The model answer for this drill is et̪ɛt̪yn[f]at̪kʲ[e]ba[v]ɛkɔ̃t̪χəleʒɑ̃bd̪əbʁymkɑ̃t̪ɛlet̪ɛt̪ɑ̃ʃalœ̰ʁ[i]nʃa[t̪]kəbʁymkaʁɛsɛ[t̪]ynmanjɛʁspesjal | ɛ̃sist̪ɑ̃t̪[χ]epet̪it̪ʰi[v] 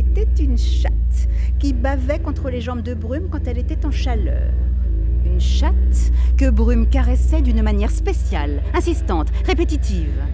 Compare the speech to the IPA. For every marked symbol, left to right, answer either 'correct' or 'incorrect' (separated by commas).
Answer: incorrect, incorrect, correct, incorrect, correct, incorrect, incorrect, correct